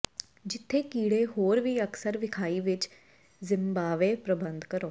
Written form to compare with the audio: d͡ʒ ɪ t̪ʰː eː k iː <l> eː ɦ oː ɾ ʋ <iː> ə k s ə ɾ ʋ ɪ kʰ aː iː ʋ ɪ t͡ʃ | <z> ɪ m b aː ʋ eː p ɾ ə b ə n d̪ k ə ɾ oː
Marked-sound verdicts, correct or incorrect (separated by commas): incorrect, correct, correct